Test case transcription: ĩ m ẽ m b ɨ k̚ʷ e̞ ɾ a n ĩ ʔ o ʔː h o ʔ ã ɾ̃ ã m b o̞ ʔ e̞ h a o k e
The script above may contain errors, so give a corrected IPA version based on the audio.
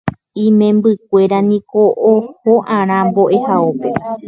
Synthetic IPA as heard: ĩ m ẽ m b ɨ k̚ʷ e̞ ɾ a n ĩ k o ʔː h o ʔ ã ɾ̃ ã m b o̞ ʔ e̞ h a o p e